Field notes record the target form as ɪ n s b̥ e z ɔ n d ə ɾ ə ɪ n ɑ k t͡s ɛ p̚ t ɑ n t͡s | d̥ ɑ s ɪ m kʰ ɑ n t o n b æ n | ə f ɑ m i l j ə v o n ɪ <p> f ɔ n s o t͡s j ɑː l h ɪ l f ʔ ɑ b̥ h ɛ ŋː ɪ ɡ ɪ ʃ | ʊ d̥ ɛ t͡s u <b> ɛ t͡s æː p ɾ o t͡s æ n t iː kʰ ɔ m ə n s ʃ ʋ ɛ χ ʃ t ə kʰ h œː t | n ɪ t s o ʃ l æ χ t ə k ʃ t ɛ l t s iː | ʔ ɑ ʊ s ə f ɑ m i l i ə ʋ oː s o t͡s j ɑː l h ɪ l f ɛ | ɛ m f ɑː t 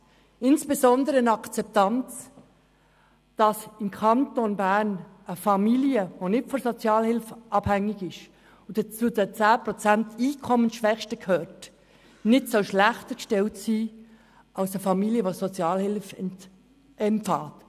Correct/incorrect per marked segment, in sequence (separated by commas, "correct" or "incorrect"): incorrect, incorrect